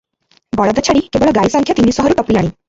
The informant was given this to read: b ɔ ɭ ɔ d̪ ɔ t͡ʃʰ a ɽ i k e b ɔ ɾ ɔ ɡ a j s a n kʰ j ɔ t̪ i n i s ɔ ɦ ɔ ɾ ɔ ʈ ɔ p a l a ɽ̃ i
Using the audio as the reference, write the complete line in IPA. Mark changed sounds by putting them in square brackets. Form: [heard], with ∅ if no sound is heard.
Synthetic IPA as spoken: b ɔ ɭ ɔ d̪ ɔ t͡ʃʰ a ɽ i k e b ɔ [ɭ] ɔ ɡ a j s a [ŋ] kʰ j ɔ t̪ i n i s ɔ ɦ ɔ ɾ [u] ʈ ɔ p [i] l a ɽ̃ i

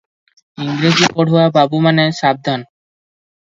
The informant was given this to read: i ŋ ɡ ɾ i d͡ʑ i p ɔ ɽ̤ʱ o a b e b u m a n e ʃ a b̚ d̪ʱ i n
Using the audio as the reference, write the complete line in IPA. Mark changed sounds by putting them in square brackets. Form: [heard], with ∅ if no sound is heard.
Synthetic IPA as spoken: i ŋ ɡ ɾ [e] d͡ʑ i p ɔ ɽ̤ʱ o a b [a] b u m a n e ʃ a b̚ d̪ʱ [a] n

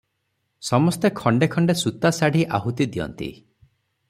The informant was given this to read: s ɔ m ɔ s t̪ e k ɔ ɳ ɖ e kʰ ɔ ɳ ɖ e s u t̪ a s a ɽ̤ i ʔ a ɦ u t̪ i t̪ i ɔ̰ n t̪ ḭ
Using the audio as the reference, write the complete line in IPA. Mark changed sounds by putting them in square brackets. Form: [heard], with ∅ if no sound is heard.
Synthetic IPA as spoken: s ɔ m ɔ s t̪ e [kʰ] ɔ ɳ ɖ e kʰ ɔ ɳ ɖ e s u t̪ a s a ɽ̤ i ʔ a ɦ u t̪ i [d̪] i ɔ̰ n t̪ ḭ

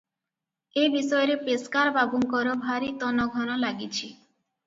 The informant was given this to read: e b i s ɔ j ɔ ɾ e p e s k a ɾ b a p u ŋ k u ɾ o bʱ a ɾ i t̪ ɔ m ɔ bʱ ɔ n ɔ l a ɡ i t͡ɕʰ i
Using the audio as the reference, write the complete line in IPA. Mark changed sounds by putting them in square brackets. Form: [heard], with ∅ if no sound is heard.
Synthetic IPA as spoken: e b i s ɔ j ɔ ɾ e p e s k a ɾ b a [b] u ŋ k [ɔ] ɾ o bʱ a ɾ i t̪ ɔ [n] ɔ [ɡʱ] ɔ n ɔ l a ɡ i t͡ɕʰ i

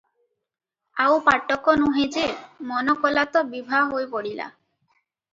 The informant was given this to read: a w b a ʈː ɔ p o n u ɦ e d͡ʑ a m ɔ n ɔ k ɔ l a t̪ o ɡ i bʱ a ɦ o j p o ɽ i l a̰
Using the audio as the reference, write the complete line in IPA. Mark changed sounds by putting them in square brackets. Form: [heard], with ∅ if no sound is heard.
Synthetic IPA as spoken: a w [p] a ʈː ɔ [k] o n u ɦ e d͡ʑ [e] m ɔ n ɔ k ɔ l a t̪ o [b] i bʱ a ɦ o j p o ɽ i l a̰

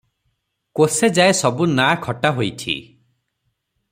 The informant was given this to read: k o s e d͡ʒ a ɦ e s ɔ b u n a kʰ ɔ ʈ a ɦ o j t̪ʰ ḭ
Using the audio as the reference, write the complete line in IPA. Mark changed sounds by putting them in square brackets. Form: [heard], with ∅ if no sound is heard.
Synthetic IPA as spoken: k o s e d͡ʒ a [∅] e s ɔ b u n a kʰ ɔ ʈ a ɦ o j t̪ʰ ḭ

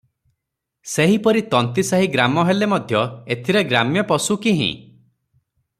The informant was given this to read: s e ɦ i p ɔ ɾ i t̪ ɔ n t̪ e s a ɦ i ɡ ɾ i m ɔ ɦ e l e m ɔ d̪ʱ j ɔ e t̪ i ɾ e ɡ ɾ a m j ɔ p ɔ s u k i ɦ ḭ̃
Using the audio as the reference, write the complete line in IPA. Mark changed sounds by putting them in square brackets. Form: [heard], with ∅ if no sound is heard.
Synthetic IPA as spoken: s e ɦ i p ɔ ɾ i t̪ ɔ n t̪ [i] s a ɦ i ɡ ɾ [a] m ɔ ɦ e l e m ɔ d̪ʱ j ɔ e [t̪ʰ] i ɾ e ɡ ɾ a m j ɔ p ɔ s u k i ɦ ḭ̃

